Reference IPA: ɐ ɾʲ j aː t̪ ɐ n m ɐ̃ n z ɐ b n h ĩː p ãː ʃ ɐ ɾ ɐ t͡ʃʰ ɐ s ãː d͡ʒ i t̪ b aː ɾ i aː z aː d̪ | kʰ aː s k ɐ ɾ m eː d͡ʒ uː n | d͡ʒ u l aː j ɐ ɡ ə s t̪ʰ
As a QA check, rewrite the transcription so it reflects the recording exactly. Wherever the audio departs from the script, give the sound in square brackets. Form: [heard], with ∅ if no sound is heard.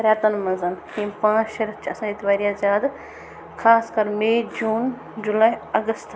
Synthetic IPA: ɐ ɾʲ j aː t̪ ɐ n m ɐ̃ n z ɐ [∅] n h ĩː p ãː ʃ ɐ ɾ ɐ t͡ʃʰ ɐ s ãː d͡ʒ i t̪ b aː ɾ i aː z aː d̪ | kʰ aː s k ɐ ɾ m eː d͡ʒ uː n | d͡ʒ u l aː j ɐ ɡ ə s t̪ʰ